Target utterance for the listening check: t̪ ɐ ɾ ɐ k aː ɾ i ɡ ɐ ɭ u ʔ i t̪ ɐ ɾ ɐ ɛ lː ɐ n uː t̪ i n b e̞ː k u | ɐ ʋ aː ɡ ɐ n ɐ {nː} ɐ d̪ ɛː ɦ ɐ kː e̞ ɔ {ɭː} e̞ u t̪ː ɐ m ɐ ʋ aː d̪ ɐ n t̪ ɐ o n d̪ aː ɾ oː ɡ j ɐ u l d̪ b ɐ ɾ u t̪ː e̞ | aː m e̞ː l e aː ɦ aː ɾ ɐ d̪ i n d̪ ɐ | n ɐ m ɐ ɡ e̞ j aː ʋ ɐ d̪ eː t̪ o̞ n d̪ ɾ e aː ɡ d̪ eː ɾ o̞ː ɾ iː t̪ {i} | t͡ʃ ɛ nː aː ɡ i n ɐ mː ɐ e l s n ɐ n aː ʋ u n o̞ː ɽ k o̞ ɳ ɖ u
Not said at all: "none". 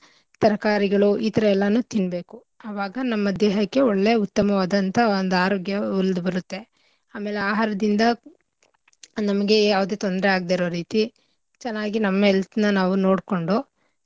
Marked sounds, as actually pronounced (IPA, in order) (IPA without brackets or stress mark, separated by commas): mː, ɭː, i